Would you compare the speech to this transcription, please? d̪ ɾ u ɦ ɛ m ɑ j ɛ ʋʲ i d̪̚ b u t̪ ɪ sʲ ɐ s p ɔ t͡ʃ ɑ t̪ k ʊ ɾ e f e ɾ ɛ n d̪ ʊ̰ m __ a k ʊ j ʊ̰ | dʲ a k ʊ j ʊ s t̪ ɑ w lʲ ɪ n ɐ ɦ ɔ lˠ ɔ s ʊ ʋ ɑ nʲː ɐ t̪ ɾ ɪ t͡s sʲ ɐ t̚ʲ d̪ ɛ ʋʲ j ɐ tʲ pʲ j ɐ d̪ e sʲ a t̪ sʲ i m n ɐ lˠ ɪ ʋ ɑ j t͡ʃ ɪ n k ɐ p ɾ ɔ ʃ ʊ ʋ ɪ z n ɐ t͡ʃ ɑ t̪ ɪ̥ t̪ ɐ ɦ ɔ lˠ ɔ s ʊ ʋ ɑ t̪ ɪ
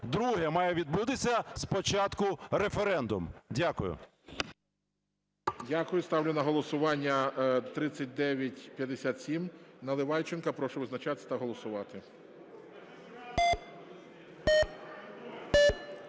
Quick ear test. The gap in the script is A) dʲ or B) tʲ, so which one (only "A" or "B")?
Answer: A